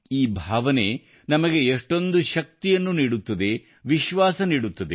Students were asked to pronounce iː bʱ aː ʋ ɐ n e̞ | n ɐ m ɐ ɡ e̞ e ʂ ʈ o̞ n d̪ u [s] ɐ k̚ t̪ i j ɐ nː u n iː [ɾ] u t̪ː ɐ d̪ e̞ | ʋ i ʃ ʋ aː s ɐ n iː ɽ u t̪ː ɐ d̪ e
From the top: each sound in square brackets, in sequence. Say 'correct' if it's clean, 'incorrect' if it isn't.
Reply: incorrect, incorrect

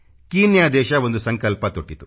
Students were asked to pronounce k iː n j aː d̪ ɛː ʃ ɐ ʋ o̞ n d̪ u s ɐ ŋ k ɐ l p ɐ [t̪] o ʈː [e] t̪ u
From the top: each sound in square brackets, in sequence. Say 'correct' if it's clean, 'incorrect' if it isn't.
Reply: correct, incorrect

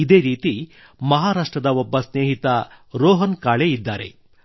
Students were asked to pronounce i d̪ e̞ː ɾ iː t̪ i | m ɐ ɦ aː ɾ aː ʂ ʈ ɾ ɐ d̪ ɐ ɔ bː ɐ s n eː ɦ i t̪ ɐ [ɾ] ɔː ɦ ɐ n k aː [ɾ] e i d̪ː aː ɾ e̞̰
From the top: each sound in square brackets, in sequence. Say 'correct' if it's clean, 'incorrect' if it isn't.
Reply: correct, incorrect

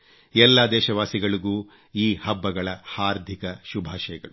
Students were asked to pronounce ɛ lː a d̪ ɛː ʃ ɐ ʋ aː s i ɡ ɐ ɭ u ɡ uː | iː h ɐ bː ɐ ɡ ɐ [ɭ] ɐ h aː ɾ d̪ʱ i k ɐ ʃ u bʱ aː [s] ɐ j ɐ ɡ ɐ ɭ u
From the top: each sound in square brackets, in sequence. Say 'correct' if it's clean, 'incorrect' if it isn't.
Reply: correct, incorrect

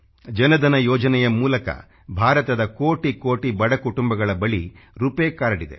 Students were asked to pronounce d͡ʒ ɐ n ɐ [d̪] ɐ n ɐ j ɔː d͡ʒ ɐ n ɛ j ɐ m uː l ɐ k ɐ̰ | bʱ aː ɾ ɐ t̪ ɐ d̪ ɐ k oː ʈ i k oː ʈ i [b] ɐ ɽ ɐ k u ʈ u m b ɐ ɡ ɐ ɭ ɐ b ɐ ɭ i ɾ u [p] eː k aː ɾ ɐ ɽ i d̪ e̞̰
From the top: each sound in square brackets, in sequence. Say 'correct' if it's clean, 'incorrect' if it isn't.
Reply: correct, correct, correct

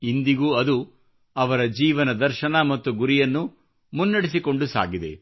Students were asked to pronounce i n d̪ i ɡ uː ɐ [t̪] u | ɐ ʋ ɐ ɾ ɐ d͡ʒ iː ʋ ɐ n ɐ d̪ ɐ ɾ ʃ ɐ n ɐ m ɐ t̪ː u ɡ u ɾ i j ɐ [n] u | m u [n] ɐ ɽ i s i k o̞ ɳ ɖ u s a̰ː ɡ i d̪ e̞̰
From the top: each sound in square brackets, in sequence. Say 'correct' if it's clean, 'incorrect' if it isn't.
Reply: incorrect, incorrect, incorrect

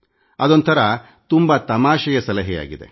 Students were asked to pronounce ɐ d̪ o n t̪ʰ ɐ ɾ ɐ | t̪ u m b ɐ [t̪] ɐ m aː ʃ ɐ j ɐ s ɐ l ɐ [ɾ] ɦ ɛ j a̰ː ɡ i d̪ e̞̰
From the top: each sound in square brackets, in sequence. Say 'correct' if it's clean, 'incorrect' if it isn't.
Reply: correct, incorrect

